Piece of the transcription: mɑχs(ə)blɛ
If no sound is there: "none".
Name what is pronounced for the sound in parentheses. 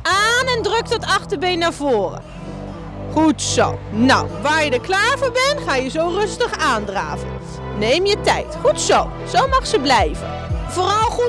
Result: ə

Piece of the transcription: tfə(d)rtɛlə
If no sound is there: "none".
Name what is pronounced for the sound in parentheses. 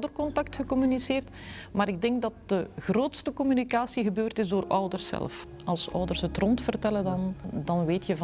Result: none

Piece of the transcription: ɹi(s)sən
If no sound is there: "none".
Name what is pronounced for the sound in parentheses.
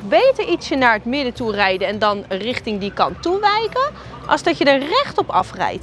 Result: t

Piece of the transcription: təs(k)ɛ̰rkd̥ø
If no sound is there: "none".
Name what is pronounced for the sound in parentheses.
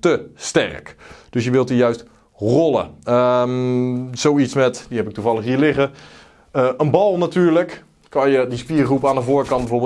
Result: t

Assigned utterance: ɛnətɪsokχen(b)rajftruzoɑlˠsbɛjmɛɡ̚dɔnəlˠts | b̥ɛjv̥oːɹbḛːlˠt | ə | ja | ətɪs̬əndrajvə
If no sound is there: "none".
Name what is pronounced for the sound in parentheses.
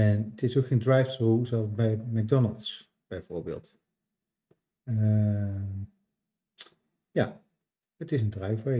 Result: d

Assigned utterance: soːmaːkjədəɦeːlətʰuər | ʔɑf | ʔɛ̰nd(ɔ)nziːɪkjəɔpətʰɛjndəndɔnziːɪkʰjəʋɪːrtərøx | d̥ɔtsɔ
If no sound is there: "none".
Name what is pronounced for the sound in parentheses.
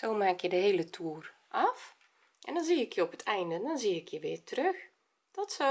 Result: ɔ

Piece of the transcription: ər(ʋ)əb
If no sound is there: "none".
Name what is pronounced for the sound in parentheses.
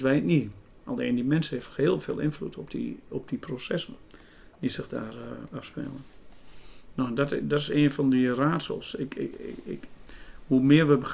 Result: ʋ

